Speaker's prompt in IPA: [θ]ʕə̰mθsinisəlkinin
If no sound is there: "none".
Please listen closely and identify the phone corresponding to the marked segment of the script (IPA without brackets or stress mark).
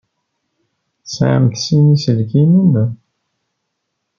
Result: s